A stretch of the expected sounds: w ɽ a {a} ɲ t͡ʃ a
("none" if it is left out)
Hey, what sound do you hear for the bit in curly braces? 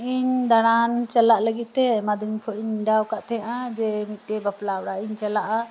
i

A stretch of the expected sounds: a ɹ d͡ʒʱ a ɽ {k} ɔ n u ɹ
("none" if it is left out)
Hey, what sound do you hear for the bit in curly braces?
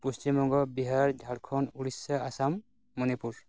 kʰ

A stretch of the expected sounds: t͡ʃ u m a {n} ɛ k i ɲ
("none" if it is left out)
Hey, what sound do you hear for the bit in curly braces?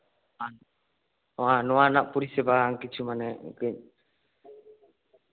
n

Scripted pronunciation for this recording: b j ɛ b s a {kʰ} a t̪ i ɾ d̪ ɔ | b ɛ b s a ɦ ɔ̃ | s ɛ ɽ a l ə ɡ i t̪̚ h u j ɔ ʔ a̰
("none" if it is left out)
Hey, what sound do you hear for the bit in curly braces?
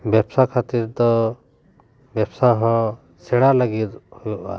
kʰ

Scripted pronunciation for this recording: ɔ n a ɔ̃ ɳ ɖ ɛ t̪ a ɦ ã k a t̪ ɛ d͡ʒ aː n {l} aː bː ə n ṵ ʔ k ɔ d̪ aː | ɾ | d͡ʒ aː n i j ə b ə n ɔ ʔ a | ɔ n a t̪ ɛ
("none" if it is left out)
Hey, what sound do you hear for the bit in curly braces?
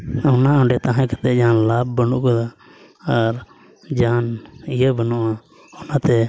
l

